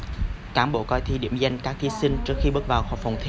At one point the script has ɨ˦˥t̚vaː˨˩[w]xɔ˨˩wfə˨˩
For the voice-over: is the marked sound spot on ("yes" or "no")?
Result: yes